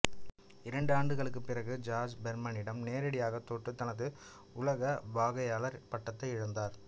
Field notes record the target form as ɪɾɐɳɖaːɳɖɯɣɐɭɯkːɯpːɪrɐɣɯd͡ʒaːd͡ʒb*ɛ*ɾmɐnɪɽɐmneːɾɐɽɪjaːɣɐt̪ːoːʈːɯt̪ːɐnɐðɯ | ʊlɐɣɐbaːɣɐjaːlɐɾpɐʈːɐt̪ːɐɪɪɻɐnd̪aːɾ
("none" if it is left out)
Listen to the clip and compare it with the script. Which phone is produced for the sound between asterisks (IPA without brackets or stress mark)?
ɛ